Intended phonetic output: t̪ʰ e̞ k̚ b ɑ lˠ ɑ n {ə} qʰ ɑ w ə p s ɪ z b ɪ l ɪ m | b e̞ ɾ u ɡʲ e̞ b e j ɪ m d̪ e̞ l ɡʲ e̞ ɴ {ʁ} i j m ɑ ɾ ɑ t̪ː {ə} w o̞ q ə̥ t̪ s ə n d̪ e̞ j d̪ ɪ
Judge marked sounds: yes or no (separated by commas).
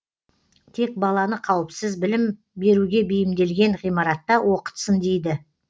yes, yes, no